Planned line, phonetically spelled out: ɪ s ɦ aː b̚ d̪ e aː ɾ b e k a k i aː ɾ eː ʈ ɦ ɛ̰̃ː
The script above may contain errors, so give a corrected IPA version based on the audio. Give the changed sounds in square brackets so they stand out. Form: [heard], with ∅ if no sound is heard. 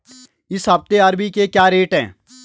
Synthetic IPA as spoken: ɪ s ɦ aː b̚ [t̪] e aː ɾ b [i] k [e] k [j] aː ɾ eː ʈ ɦ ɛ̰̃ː